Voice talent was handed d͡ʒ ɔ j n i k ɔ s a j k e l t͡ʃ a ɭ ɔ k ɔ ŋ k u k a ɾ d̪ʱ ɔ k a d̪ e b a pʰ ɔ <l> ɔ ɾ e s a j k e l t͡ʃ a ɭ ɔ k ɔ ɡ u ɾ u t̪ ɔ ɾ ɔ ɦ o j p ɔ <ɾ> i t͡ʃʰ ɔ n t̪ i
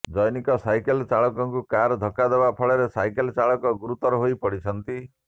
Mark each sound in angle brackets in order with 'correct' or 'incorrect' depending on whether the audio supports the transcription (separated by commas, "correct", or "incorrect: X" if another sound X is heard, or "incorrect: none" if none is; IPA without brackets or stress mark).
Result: incorrect: ɭ, incorrect: ɽ